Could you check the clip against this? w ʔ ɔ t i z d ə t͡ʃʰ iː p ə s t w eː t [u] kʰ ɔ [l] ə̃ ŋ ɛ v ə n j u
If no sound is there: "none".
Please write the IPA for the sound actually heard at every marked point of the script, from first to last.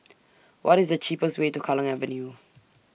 u, l

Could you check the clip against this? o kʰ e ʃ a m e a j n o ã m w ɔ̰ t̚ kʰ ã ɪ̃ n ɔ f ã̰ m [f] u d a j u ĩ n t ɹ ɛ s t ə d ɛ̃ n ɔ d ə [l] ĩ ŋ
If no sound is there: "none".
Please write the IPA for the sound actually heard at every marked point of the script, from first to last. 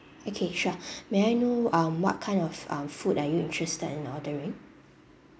f, ɹ

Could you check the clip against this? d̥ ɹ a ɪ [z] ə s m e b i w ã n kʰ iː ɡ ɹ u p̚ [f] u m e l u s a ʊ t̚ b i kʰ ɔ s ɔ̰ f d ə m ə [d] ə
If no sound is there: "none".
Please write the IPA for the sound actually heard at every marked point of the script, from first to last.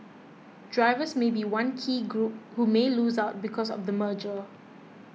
v, h, d͡ʒ

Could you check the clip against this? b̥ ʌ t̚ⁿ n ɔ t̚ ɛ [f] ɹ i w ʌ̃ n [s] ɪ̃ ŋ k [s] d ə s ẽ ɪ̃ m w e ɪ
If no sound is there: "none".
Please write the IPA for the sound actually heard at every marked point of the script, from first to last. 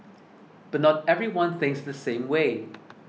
v, θ, s

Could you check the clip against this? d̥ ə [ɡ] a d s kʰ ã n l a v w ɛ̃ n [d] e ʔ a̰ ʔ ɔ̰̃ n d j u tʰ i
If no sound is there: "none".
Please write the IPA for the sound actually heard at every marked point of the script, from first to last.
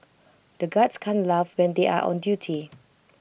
ɡ, d

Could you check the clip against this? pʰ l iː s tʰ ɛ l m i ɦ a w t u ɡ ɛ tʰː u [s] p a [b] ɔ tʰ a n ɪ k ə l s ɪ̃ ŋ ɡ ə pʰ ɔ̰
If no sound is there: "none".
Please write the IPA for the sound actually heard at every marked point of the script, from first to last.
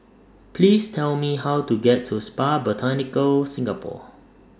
s, b

